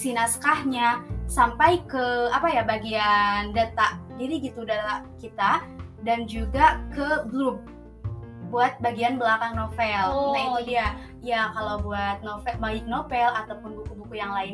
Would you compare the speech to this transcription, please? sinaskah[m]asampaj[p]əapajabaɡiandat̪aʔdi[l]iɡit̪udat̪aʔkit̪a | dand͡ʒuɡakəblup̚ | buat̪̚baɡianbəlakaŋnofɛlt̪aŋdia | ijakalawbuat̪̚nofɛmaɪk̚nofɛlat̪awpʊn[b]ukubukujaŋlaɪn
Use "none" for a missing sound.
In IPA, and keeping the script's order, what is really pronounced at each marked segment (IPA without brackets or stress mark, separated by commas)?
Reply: ɲ, k, ɾ, b